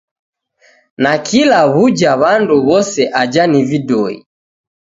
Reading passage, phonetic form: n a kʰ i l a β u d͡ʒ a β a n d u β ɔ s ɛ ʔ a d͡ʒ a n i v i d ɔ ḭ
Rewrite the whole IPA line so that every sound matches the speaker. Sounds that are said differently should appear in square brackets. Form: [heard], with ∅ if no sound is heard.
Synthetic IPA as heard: n a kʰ i l a β u d͡ʒ a β a n d u β ɔ s ɛ ʔ a d͡ʒ a n i v i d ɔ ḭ

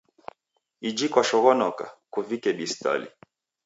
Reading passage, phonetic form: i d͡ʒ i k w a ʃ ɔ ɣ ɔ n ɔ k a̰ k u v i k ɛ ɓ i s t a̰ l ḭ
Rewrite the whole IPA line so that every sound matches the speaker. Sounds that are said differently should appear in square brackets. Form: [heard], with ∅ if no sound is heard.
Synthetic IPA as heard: i d͡ʒ i k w a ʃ ɔ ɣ ɔ n ɔ k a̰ k u v i k ɛ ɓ i s t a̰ l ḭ

